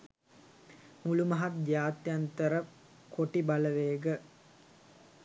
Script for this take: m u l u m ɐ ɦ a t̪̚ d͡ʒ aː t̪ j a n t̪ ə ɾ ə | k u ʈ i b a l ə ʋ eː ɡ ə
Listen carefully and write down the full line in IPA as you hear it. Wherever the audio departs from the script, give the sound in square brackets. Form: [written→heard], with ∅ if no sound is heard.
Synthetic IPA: m u l u m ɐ ɦ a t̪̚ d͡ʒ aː t̪ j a n t̪ ə ɾ ə | k [u→o] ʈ i b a l ə ʋ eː ɡ ə